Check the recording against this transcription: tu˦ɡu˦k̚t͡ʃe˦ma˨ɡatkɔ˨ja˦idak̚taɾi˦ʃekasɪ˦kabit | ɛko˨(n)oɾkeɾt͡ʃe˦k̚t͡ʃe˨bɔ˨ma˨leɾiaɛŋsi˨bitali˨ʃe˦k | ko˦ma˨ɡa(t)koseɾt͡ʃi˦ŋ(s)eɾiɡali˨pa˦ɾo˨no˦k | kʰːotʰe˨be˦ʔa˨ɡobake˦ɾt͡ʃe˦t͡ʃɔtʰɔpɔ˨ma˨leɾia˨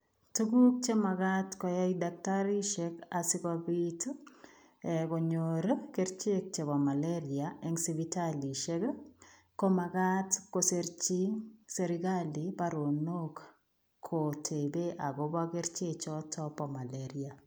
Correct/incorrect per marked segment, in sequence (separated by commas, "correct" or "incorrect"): incorrect, correct, correct